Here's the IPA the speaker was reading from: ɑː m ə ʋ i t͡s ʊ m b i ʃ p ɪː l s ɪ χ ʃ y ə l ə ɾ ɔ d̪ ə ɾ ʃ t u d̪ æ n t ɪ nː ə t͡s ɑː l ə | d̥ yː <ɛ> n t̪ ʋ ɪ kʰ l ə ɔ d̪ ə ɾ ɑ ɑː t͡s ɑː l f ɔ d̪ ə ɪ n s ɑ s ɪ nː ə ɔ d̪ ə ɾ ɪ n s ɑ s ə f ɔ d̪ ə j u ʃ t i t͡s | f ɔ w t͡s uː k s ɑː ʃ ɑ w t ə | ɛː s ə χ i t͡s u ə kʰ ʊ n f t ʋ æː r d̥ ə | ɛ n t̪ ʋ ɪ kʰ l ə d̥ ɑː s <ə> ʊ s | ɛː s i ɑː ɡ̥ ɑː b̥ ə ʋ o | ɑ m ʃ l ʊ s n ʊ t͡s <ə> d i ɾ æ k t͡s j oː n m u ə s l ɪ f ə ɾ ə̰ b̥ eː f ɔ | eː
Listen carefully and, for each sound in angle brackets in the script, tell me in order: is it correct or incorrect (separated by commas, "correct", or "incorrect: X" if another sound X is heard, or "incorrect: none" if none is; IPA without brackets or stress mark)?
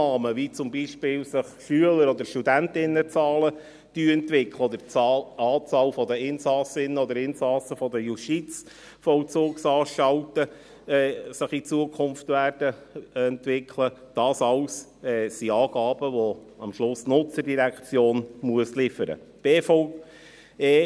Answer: correct, incorrect: ɑ, correct